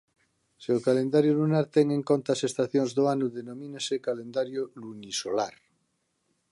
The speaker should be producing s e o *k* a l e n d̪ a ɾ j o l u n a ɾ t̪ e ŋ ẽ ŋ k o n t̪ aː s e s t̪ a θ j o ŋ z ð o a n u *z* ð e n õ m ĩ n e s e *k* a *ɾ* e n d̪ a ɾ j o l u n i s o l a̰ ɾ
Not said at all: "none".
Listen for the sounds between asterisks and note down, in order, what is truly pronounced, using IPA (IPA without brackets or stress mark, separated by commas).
k, none, k, l